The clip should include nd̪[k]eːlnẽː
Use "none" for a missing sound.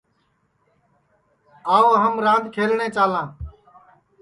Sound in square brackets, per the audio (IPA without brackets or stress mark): kʰ